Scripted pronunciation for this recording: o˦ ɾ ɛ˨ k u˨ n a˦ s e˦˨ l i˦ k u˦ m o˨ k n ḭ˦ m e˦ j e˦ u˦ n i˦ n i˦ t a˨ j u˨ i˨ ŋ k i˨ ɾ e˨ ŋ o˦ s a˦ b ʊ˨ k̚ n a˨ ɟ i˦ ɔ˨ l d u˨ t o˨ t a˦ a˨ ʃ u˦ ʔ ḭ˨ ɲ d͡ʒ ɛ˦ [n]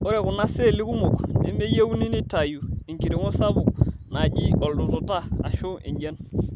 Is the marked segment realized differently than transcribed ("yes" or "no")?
no